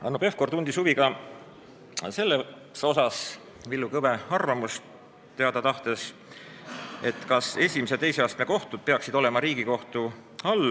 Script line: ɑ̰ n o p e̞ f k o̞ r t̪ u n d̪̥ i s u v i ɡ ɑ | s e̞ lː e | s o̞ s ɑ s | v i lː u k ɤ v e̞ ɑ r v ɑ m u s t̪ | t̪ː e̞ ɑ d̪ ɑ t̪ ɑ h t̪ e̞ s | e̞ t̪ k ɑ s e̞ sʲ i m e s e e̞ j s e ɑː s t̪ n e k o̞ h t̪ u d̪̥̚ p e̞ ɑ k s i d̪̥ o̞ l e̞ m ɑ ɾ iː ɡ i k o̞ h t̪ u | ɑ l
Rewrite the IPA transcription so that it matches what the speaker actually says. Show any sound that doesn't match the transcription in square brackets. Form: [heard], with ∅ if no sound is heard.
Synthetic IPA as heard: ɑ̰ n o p e̞ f k o̞ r t̪ u n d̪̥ i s u v i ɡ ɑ | s e̞ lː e | s o̞ s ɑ s | v i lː u k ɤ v e̞ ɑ r v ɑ m u s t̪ | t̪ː e̞ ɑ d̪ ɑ t̪ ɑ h t̪ e̞ s | e̞ t̪ k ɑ s e̞ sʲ i m [i] s e e̞ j s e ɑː s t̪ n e k o̞ h t̪ u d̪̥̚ p e̞ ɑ k s i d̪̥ o̞ l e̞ m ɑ ɾ iː ɡ i k o̞ h t̪ u | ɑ l